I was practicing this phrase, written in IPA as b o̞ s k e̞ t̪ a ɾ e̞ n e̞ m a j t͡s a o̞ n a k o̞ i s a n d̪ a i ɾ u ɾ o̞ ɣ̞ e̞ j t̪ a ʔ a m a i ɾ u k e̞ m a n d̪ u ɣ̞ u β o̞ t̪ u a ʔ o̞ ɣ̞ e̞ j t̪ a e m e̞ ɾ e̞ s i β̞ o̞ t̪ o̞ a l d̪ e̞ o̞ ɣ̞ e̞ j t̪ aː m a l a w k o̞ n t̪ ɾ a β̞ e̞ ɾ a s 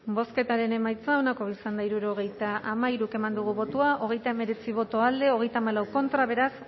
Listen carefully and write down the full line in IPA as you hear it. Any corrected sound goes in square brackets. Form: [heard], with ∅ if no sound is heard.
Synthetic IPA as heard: b o̞ s k e̞ t̪ a ɾ e̞ n e̞ m a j t͡s a o̞ n a k o̞ i s a n d̪ a i ɾ u ɾ o̞ ɣ̞ e̞ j t̪ a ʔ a m a i ɾ u k e̞ m a n d̪ u ɣ̞ u β o̞ t̪ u a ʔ o̞ ɣ̞ e̞ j t̪ a e m e̞ ɾ e̞ [t͡s] i β̞ o̞ t̪ o̞ a l d̪ e̞ o̞ ɣ̞ e̞ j t̪ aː m a l a w k o̞ n t̪ ɾ a β̞ e̞ ɾ a s